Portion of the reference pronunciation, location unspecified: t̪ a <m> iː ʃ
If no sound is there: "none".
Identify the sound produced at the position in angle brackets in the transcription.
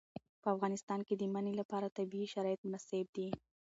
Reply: b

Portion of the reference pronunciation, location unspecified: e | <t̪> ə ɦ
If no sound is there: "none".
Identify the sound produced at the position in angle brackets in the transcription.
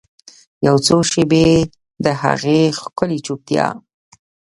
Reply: d̪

